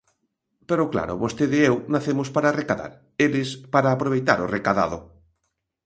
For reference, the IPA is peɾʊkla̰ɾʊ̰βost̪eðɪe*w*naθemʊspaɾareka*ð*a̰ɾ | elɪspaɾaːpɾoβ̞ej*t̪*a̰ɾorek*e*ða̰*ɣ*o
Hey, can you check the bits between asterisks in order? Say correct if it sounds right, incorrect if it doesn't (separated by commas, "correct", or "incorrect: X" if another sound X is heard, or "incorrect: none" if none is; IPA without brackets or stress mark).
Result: correct, correct, correct, incorrect: a, incorrect: ð